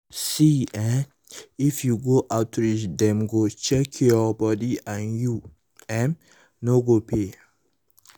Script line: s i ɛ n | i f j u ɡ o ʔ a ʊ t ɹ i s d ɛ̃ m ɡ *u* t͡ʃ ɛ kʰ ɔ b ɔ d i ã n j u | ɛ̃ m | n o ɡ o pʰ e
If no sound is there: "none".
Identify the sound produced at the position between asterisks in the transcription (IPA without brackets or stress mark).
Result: o